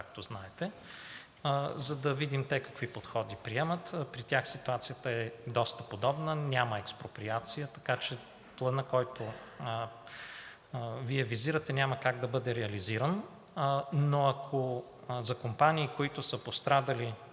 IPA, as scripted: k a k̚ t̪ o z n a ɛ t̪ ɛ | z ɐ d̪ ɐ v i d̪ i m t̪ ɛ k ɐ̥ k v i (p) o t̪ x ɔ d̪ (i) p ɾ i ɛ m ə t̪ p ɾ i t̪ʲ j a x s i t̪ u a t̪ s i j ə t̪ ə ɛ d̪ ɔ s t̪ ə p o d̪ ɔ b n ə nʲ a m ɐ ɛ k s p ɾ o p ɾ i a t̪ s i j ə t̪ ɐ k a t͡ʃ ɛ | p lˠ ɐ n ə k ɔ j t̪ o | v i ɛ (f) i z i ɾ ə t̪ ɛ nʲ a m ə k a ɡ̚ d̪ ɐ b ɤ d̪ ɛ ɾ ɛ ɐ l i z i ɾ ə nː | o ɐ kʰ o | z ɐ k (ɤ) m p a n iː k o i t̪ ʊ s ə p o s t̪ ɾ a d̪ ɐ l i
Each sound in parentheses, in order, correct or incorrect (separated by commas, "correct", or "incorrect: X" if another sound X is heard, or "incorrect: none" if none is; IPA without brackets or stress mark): correct, correct, incorrect: v, incorrect: o